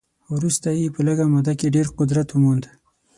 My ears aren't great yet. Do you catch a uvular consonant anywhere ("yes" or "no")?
yes